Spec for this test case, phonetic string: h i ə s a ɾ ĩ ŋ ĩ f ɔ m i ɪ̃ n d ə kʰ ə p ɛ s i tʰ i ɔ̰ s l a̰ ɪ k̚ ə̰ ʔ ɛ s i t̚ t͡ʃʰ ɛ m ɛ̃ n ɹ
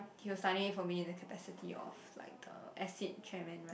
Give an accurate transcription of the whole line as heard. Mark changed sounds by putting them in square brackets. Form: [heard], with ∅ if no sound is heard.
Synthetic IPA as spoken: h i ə s a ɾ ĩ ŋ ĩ f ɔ m i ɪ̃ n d ə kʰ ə p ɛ s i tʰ i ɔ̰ [f] l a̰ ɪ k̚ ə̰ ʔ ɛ s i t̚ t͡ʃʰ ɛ m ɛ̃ n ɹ